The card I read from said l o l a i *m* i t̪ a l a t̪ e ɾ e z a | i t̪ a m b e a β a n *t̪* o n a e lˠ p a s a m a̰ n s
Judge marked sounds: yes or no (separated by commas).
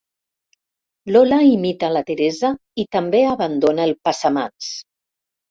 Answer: yes, no